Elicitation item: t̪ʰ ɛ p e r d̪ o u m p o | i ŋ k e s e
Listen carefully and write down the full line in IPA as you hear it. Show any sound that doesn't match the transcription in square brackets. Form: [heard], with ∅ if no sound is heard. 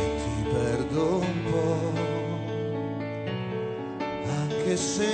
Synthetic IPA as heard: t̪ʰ [i] p [ɛ] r d̪ o u m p [ɔ] | [a] ŋ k e s e